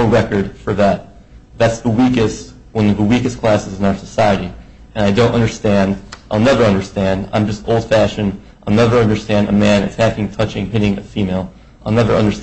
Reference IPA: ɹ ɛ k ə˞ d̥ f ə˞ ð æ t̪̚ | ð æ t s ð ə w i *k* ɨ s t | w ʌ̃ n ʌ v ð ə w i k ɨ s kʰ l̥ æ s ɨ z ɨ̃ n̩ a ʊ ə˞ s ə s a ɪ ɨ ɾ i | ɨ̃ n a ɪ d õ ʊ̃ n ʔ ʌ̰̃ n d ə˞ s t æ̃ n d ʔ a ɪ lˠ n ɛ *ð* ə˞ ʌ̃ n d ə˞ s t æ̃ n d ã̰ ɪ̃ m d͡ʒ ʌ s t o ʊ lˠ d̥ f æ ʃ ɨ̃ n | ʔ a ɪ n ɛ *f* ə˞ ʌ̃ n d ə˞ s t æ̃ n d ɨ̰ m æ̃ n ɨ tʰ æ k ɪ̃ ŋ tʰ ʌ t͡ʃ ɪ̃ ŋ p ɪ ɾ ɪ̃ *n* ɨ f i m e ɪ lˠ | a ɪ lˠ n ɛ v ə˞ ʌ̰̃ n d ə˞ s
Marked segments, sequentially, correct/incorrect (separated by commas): correct, incorrect, incorrect, incorrect